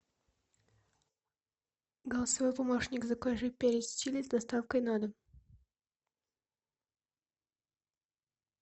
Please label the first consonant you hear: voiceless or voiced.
voiced